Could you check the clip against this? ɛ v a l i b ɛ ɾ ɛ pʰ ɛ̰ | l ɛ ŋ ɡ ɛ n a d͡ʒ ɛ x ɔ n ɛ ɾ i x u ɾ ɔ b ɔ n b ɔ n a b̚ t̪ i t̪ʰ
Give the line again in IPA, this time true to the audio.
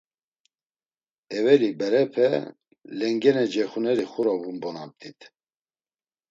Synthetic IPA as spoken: ɛ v ɛ l i b ɛ ɾ ɛ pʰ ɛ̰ | l ɛ ŋ ɡ ɛ n ɛ d͡ʒ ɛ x u n ɛ ɾ i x u ɾ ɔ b u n b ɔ n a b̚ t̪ i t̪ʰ